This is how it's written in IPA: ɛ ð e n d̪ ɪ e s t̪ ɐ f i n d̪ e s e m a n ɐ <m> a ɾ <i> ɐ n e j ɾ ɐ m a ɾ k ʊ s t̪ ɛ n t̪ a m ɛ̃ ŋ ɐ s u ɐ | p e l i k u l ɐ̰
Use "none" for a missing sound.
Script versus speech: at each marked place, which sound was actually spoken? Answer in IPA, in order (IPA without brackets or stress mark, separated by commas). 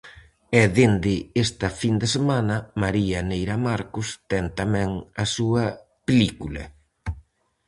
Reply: m, i